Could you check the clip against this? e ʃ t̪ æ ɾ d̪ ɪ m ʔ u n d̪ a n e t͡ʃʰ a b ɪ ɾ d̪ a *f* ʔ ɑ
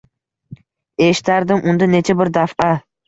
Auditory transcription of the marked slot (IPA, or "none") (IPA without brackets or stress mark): f